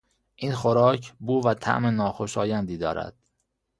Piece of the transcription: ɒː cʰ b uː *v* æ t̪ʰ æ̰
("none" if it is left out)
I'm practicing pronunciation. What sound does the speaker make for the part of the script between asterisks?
v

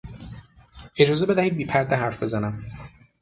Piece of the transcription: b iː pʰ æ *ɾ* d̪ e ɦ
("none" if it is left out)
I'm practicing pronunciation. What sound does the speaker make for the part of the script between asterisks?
ɾ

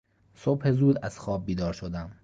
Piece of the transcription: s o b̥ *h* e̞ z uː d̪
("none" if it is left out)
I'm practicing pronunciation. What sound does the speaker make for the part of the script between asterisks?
h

